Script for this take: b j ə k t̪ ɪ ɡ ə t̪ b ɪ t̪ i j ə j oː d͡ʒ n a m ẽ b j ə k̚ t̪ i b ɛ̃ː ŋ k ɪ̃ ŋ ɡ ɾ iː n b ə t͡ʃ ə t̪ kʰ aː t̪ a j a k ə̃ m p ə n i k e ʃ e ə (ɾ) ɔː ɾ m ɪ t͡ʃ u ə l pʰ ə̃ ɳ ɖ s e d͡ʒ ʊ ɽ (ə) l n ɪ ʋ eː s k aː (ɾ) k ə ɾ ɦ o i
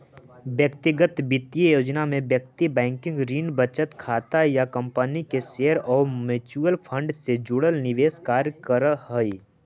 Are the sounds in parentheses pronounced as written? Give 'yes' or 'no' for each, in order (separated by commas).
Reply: yes, yes, yes